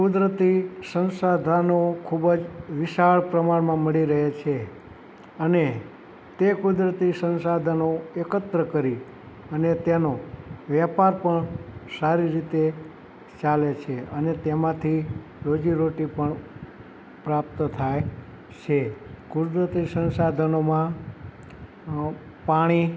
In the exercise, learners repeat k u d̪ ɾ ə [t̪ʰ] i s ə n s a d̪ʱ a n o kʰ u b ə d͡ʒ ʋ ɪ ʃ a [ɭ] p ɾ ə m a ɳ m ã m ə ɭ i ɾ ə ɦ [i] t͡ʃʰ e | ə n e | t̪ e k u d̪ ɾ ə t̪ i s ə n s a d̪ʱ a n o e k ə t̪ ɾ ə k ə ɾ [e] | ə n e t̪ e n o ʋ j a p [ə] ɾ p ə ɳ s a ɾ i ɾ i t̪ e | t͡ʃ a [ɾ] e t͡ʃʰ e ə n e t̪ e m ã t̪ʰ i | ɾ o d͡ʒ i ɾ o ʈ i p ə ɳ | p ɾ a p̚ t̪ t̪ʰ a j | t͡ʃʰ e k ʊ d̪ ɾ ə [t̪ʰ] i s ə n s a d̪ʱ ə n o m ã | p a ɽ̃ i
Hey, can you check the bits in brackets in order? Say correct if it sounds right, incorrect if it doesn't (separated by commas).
incorrect, correct, incorrect, incorrect, incorrect, incorrect, incorrect